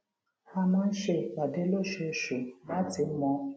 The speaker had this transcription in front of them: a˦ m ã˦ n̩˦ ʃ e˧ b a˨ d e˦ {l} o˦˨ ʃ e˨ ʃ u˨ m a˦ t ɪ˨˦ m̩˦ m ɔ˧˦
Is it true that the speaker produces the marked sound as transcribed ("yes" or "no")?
yes